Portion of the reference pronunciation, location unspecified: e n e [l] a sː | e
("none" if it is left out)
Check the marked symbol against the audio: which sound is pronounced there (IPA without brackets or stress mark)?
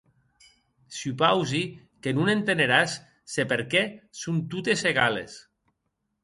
ɾ